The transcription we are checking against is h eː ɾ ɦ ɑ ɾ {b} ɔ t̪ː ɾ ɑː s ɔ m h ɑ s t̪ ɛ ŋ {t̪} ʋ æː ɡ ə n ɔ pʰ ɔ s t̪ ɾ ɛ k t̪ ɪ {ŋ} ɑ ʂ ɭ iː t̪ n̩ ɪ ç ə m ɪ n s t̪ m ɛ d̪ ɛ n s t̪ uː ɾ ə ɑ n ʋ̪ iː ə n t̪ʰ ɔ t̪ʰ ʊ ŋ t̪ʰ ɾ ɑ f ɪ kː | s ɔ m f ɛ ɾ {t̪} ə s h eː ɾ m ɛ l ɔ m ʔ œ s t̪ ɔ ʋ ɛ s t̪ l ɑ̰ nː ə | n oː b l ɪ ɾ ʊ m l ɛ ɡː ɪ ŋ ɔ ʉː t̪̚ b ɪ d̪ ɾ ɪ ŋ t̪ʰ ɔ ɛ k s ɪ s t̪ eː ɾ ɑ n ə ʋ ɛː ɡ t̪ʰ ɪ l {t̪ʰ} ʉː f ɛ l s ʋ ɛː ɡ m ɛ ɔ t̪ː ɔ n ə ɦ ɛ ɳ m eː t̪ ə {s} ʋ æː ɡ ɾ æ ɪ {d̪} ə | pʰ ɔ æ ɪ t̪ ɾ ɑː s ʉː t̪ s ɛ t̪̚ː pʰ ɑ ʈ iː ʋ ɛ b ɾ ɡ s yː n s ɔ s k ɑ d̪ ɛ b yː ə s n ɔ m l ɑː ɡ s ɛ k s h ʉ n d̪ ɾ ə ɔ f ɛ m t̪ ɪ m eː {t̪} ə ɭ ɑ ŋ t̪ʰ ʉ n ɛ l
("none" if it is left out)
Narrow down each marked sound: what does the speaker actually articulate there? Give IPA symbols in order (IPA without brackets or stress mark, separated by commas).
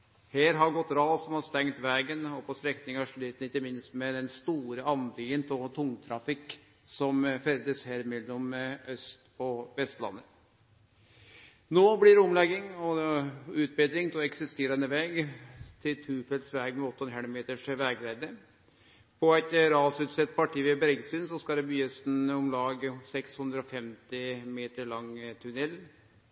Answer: ɡ, t̪, ŋ, d̪, t̪ʰ, ʂ, d̪, t̪